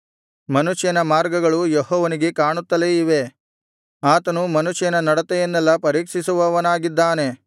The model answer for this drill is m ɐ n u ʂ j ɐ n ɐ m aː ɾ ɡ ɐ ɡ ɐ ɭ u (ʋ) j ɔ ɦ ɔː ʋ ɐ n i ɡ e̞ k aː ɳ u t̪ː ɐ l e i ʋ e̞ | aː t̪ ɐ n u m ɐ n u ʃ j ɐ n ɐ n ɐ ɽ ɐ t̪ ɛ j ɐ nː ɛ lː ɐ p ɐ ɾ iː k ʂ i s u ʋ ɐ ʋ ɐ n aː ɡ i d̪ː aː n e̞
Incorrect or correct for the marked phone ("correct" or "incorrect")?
incorrect